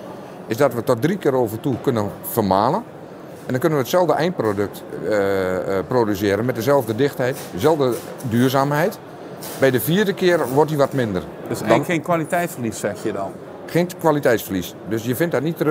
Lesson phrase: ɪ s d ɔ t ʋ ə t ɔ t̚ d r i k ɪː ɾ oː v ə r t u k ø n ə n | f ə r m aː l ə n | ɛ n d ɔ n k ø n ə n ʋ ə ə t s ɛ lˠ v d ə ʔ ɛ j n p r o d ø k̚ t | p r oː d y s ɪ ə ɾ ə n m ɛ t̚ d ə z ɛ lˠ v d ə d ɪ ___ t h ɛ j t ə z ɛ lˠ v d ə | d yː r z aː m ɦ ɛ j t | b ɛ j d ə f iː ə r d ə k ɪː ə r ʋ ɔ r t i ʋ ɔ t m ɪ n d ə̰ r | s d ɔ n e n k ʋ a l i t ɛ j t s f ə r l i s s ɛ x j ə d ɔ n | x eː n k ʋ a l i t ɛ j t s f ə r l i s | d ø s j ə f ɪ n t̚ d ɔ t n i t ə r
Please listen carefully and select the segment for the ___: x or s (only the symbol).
x